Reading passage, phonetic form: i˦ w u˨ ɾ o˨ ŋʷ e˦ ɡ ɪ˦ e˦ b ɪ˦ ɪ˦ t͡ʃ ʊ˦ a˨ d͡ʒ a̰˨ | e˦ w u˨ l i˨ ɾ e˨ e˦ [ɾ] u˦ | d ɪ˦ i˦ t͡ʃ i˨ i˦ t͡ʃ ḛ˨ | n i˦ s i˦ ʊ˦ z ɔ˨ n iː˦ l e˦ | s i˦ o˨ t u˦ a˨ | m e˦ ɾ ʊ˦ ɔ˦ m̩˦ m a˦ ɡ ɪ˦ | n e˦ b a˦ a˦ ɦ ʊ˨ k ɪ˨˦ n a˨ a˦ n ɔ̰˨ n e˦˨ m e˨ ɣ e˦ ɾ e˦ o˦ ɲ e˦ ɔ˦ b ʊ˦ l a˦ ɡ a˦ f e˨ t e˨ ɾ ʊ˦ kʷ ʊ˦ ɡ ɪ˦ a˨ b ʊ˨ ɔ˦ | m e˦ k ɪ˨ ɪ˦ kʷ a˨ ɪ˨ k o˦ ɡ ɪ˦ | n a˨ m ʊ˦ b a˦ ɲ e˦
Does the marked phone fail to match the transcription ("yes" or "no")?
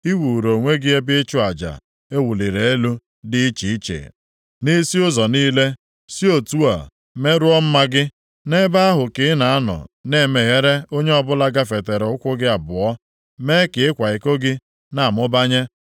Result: yes